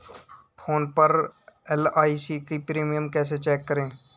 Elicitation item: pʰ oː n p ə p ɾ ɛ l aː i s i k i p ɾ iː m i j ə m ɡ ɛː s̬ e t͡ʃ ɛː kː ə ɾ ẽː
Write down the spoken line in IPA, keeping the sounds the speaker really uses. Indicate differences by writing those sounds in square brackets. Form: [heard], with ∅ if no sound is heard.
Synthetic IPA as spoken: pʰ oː n p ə [∅] ɾ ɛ l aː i s i k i p ɾ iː m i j ə m [k] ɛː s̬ e t͡ʃ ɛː kː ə ɾ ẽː